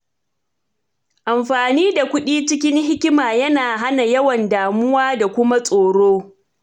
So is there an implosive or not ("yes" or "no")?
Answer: yes